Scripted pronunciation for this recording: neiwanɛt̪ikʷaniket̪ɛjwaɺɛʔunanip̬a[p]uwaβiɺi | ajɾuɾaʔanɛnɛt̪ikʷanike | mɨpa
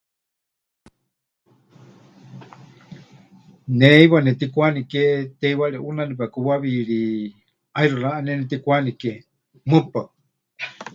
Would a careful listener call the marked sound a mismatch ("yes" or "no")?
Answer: yes